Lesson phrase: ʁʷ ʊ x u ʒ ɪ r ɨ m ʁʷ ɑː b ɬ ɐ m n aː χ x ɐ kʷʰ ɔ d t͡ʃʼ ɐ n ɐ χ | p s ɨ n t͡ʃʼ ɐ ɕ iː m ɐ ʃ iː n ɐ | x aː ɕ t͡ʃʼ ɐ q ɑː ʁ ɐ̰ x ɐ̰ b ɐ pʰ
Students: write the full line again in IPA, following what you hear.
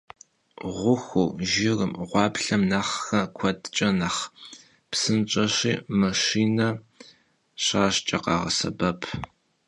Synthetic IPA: ʁʷ ʊ x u ʒ ɪ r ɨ m ʁʷ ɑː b ɬ ɐ m n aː χ x ɐ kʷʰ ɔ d t͡ʃʼ ɐ n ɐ χ | p s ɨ n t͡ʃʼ ɐ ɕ iː m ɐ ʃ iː n ɐ | ɕ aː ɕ t͡ʃʼ ɐ q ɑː ʁ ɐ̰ s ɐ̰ b ɐ pʰ